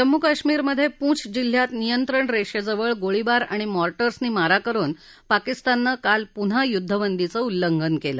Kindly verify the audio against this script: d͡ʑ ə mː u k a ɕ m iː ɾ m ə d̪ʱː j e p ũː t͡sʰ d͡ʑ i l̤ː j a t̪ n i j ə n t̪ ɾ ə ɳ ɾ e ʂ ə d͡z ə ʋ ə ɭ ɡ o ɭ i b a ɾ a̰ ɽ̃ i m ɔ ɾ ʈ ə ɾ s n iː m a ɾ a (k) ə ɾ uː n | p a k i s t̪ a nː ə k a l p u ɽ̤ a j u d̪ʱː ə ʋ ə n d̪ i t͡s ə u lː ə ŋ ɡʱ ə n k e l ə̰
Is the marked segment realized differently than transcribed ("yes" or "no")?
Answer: no